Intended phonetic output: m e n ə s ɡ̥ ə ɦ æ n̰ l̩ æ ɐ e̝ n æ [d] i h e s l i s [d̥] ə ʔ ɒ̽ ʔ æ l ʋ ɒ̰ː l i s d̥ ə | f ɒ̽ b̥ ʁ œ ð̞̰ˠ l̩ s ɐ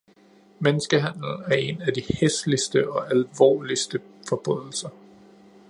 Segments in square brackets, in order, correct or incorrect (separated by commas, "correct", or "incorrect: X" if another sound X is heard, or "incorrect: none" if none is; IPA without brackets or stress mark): correct, correct